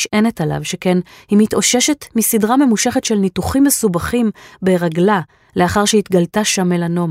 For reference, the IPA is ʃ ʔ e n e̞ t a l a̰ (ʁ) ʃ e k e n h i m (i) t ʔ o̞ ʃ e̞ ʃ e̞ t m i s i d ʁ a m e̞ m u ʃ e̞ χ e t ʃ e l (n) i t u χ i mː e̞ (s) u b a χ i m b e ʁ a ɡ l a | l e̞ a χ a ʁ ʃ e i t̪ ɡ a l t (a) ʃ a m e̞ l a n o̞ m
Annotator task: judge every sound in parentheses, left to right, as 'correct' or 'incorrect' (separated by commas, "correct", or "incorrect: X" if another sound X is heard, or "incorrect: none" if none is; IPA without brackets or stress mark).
incorrect: v, correct, correct, correct, correct